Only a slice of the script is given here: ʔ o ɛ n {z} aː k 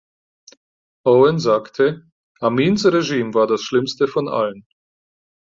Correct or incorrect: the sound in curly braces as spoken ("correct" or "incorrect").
correct